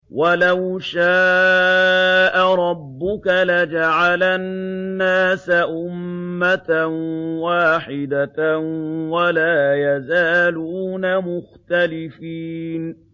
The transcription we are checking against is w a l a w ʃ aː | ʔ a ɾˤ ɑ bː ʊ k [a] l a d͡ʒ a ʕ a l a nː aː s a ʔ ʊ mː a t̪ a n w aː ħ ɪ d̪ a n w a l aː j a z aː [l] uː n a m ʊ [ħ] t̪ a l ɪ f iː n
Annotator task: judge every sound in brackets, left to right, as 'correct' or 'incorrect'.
correct, correct, incorrect: x

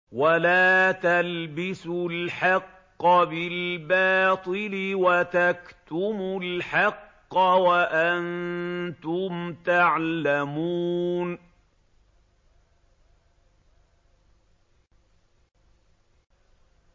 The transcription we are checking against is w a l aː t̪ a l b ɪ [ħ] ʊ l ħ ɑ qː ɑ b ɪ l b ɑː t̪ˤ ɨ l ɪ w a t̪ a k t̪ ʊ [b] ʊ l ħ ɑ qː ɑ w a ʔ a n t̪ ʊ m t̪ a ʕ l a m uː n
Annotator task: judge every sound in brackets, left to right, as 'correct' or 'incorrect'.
incorrect: s, incorrect: m

